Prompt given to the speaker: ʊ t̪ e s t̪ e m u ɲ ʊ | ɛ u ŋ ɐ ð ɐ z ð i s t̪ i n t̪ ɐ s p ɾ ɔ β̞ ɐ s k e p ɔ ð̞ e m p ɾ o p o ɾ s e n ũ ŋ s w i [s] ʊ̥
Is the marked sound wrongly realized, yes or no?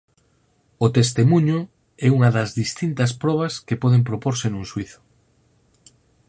yes